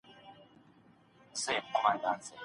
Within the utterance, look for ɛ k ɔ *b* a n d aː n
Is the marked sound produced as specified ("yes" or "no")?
no